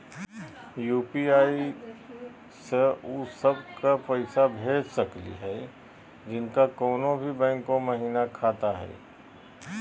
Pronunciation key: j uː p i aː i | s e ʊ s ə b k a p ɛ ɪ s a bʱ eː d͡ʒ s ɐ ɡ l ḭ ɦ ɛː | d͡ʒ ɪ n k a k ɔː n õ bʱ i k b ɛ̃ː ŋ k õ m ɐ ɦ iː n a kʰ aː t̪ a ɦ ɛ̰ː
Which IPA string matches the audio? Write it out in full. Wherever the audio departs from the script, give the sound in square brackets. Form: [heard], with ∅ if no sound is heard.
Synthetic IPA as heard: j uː p i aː i | s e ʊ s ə b k a p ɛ ɪ s a bʱ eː d͡ʒ s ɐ [k] l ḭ ɦ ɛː | d͡ʒ ɪ n k a k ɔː n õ bʱ i [∅] b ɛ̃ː ŋ k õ m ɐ ɦ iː n a kʰ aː t̪ a ɦ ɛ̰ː